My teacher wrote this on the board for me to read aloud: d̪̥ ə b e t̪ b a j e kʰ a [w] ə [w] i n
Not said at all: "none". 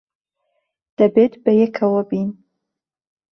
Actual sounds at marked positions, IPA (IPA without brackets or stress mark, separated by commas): w, b